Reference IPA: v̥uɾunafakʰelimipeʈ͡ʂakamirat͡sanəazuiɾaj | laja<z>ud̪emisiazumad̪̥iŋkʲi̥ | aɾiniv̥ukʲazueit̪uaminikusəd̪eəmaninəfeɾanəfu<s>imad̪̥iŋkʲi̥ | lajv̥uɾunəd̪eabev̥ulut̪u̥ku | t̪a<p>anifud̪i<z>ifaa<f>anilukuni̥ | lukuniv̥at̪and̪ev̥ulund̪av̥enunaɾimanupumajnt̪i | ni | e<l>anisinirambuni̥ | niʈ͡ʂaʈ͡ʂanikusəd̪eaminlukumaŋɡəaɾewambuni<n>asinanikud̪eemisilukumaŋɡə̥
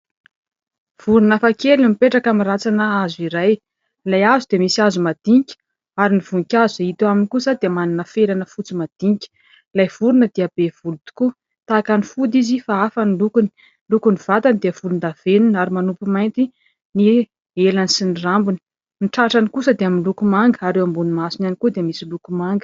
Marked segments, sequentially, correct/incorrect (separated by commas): correct, incorrect, incorrect, correct, correct, correct, incorrect